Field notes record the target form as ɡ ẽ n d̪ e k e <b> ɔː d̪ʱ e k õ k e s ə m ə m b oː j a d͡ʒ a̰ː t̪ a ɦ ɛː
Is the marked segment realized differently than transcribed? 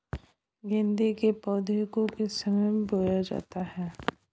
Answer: yes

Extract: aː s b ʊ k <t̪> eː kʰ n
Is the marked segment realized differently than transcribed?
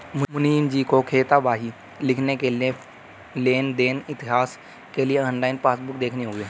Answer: yes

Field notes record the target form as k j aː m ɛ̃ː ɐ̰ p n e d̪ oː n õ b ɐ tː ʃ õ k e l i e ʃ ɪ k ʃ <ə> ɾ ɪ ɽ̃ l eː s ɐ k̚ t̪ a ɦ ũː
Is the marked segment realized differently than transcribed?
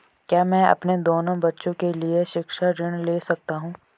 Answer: yes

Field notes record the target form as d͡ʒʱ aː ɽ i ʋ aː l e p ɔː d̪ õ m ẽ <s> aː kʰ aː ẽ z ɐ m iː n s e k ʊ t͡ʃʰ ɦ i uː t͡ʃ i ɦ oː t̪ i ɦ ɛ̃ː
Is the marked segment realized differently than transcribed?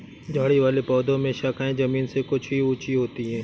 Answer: yes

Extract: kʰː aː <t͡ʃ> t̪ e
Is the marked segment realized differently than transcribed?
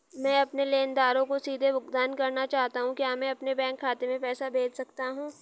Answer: yes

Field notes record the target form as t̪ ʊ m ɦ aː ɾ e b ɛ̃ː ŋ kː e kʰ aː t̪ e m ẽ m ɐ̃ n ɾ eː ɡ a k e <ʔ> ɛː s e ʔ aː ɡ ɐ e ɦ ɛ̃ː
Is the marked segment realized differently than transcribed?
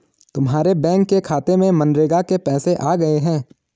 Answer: yes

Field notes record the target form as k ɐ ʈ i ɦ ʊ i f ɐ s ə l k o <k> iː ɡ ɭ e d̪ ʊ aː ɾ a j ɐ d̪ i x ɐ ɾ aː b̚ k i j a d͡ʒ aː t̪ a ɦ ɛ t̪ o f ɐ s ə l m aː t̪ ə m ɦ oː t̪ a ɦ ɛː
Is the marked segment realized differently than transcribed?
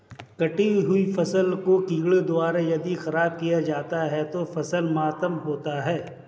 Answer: no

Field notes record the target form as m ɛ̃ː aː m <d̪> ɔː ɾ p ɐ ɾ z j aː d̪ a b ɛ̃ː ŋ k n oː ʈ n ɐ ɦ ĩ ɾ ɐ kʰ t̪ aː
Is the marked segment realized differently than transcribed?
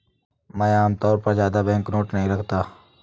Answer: yes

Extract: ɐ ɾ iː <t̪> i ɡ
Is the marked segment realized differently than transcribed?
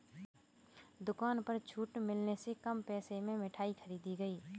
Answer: yes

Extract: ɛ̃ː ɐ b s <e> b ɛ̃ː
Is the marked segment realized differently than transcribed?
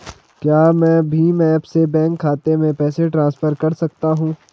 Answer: no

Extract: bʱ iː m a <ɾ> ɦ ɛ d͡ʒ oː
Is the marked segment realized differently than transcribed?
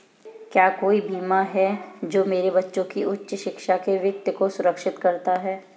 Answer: yes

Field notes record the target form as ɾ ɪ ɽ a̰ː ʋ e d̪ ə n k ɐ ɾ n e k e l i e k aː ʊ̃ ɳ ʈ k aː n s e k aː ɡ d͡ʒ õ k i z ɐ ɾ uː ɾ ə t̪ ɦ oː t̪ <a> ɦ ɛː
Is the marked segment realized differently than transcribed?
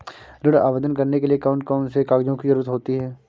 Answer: yes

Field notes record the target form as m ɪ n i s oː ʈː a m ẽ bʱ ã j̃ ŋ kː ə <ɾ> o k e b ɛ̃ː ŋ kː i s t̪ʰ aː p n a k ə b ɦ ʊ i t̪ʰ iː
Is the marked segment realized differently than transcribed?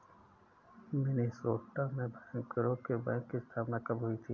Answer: no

